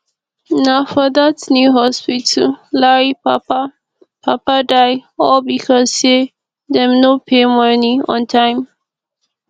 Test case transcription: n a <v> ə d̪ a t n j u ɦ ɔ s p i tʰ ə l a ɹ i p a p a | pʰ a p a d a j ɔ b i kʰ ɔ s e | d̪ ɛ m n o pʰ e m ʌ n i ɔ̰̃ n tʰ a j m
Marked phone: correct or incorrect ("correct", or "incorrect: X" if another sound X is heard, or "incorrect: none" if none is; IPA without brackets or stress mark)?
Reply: incorrect: f